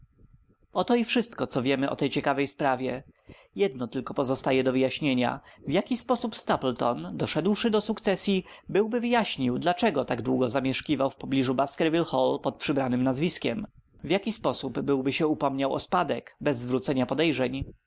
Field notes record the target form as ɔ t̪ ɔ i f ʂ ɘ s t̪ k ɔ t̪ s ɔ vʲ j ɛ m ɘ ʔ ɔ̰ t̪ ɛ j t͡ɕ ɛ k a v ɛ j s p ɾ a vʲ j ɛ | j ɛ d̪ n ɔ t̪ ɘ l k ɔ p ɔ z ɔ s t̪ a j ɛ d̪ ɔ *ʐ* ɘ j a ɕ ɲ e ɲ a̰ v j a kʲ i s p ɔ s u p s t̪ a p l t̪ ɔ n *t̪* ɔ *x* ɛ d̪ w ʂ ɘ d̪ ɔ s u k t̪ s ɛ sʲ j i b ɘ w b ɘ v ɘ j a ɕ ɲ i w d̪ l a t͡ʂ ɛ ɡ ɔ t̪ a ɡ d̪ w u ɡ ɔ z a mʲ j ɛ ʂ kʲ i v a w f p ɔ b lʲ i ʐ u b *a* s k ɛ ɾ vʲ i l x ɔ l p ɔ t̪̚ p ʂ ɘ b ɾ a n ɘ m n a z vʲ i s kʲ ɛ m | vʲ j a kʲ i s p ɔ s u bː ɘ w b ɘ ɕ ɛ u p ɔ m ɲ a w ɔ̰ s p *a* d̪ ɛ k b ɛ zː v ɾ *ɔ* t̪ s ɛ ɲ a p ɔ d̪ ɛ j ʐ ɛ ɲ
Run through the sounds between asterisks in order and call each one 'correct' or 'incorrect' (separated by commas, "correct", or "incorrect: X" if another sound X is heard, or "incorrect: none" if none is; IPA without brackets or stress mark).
incorrect: v, incorrect: d̪, incorrect: ʂ, correct, correct, incorrect: u